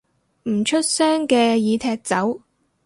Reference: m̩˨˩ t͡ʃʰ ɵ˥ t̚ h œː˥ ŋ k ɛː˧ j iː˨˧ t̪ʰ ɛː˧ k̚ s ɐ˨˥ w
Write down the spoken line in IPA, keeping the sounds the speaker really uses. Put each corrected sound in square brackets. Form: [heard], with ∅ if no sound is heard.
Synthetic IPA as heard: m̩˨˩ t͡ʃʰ ɵ˥ t̚ [s] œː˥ ŋ k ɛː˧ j iː˨˧ t̪ʰ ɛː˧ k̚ [t͡s] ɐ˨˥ w